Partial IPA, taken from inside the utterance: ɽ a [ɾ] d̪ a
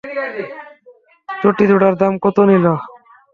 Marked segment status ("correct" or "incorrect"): correct